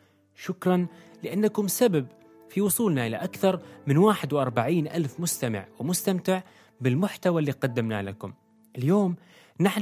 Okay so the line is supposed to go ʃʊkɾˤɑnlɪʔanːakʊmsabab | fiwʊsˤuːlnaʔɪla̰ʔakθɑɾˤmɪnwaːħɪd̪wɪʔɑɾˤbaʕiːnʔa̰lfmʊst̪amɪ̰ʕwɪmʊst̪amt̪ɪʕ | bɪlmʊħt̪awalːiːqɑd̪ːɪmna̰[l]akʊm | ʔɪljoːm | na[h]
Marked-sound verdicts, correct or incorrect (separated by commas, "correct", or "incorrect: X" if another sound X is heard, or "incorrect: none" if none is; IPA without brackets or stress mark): correct, incorrect: ħ